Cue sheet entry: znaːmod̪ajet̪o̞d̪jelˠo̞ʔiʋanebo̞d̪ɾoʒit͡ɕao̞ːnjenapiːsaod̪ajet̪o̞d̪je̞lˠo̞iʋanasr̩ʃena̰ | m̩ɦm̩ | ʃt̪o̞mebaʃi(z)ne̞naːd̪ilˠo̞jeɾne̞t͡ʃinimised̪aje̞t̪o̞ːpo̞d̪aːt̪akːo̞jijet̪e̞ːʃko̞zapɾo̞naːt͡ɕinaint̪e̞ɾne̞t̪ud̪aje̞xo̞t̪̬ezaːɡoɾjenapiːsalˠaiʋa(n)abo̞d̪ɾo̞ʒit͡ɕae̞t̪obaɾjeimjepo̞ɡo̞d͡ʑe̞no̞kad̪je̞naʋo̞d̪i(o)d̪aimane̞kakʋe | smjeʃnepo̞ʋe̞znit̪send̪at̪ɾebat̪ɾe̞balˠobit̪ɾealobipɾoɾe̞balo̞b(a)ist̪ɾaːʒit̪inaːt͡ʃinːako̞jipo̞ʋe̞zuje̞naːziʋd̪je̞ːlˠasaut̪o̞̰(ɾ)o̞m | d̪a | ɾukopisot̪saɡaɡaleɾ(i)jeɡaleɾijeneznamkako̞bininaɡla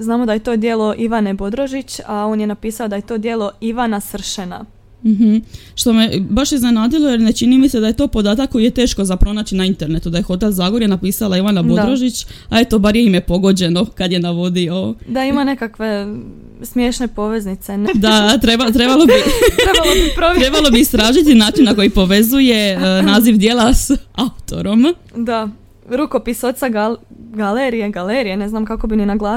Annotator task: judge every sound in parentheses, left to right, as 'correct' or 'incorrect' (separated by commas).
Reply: correct, correct, correct, incorrect, correct, correct